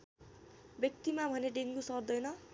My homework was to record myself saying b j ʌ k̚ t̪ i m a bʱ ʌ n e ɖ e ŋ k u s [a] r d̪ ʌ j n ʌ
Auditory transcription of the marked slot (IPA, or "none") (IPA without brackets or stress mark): ʌ